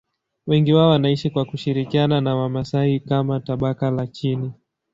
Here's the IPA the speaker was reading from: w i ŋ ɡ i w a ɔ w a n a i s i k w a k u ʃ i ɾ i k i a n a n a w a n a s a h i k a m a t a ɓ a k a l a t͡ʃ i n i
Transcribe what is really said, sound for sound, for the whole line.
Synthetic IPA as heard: w ɛ ŋ ɡ i w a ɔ w a n a i ʃ i k w a k u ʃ i ɾ i k i a n a n a w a m a s a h i k a m a t a ɓ a k a l a t͡ʃ i n i